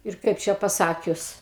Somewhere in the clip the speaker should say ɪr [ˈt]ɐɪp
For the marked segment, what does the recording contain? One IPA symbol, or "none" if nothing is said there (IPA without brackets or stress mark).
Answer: k